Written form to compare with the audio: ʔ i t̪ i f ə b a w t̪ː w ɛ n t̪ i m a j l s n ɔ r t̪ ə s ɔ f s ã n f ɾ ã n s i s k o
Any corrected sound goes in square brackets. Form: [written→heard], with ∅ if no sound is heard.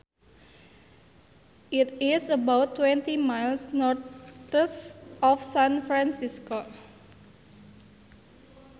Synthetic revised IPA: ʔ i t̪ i [f→s] ə b a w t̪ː w ɛ n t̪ i m a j l s n ɔ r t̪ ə s ɔ f s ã n f ɾ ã n s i s k o

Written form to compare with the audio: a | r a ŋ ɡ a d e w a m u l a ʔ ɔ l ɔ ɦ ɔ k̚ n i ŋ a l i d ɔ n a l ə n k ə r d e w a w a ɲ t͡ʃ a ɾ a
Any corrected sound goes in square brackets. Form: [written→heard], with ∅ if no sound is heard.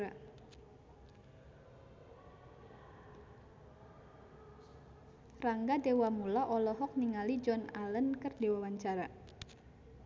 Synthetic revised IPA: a | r a ŋ ɡ a d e w a m u l a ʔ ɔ l ɔ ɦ ɔ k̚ n i ŋ a l i [d→d͡ʒ] ɔ n a l ə n k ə r d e w a w a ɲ t͡ʃ a ɾ a

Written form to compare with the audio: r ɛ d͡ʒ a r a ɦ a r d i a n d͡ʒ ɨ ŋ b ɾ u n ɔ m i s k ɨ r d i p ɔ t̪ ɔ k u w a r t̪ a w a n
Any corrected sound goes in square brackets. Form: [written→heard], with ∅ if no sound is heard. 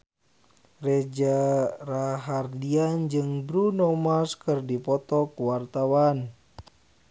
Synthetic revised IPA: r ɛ d͡ʒ a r a ɦ a r d i a n d͡ʒ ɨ ŋ b ɾ u n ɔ m [i→a] s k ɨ r d i p ɔ t̪ ɔ k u w a r t̪ a w a n

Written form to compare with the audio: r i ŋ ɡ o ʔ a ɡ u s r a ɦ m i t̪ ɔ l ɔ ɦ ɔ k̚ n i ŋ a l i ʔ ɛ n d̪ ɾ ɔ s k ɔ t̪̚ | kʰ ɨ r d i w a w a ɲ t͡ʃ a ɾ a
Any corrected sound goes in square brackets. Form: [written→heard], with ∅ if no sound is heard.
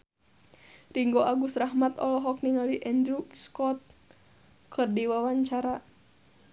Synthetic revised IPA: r i ŋ ɡ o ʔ a ɡ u s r a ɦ m [i→a] t̪ ɔ l ɔ ɦ ɔ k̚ n i ŋ a l i ʔ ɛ n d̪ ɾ [ɔ→u] s k ɔ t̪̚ | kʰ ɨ r d i w a w a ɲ t͡ʃ a ɾ a

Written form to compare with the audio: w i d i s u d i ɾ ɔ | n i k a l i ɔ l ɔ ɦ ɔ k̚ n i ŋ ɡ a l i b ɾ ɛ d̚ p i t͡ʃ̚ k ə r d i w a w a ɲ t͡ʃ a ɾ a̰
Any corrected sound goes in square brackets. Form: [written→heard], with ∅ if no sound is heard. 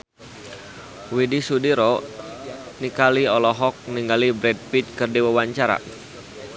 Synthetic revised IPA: w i d i s u d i ɾ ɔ | n i k a l i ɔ l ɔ ɦ ɔ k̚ n i ŋ ɡ a l i b ɾ ɛ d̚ p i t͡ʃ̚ k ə r d i w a w a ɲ t͡ʃ a ɾ a̰

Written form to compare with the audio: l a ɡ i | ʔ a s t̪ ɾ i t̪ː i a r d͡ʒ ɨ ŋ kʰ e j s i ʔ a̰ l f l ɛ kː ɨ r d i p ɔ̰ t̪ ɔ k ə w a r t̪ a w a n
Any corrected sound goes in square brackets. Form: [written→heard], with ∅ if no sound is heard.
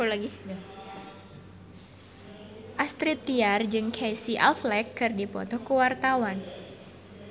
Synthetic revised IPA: l a ɡ i | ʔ a s t̪ ɾ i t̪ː i a r d͡ʒ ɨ ŋ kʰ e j s i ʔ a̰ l f l ɛ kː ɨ r d i p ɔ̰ t̪ ɔ k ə w a r t̪ a w a n

